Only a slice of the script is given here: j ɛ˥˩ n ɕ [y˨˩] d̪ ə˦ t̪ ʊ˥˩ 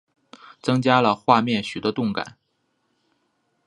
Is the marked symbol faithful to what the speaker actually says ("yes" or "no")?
yes